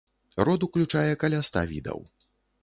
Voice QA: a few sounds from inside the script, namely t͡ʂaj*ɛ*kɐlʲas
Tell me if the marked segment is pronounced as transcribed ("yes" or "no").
yes